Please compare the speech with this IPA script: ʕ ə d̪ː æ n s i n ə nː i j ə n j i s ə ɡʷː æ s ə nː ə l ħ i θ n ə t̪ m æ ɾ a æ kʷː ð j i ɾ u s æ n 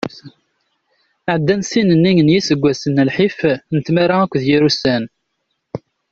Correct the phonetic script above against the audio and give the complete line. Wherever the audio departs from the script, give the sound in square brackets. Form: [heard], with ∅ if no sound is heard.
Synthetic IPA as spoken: ʕ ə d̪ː æ n s i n ə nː i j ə n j i s ə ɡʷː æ s ə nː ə l ħ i [f] n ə t̪ m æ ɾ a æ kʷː ð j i ɾ u s æ n